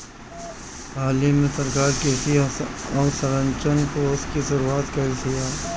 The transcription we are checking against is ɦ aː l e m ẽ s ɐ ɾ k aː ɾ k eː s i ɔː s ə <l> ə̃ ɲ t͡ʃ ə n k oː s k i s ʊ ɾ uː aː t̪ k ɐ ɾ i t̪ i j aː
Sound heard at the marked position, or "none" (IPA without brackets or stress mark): ɾ